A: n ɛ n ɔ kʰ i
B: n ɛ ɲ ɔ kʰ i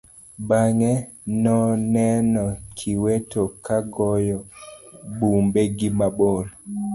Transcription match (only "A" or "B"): A